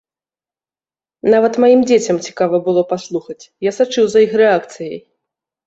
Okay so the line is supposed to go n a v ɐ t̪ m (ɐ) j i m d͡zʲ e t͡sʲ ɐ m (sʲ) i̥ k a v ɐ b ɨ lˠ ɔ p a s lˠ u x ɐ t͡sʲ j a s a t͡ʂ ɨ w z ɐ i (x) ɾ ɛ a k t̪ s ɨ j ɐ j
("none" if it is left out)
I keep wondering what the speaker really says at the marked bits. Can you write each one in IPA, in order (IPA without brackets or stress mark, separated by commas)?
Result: a, t͡sʲ, x